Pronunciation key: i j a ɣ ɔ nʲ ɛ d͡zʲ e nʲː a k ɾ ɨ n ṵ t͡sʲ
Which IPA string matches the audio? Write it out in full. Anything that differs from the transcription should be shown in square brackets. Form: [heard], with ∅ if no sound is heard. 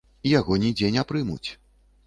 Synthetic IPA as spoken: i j a ɣ ɔ nʲ [i] d͡zʲ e [nʲ] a [p] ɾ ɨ [m] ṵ t͡sʲ